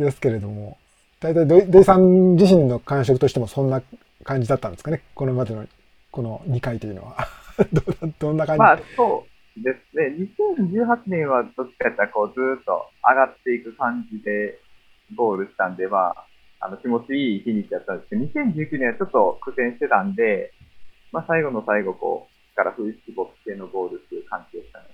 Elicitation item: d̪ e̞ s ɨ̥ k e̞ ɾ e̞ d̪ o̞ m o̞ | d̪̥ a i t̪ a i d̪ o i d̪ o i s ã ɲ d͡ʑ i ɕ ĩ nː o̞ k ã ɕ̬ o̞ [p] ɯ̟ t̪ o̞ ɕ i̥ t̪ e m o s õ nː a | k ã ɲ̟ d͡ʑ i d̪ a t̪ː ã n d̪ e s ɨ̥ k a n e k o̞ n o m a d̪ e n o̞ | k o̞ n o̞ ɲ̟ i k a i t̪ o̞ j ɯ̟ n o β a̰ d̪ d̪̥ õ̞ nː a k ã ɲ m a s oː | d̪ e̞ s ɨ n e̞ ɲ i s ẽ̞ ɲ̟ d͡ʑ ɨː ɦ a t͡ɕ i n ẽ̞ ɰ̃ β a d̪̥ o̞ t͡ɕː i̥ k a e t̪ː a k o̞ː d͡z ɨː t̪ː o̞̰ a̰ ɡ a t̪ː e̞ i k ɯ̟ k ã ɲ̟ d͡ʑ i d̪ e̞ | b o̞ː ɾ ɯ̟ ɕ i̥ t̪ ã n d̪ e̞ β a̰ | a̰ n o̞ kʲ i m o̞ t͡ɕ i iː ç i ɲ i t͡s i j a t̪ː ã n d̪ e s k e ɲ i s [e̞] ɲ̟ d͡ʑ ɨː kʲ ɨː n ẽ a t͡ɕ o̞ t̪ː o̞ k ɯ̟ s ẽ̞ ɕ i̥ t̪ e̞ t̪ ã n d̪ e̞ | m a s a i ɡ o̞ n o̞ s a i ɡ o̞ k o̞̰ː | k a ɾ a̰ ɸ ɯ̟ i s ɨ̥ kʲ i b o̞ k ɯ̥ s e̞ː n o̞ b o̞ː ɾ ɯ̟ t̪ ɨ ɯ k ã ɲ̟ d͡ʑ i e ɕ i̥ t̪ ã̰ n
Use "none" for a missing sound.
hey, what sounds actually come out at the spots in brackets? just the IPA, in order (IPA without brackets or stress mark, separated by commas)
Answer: k, ẽ̞